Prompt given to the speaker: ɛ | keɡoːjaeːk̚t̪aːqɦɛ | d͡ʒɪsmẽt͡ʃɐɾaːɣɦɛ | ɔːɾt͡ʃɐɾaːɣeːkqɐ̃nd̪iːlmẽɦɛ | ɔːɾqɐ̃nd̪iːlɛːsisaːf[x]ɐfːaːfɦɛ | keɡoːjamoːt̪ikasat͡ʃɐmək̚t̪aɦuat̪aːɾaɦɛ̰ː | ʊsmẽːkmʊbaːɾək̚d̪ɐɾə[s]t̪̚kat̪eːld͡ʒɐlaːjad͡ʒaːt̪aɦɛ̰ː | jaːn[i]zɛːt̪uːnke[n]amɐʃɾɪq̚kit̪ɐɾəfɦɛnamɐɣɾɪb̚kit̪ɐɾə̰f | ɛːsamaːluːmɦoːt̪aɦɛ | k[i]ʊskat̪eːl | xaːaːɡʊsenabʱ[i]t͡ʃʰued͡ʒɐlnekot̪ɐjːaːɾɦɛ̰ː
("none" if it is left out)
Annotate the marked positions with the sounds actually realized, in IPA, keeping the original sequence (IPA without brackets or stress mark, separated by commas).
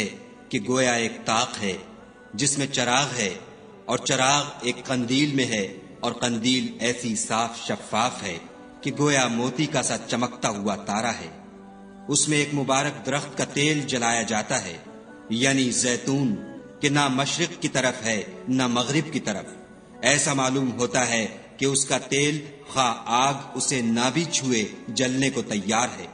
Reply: ʃ, x, i, n, e, i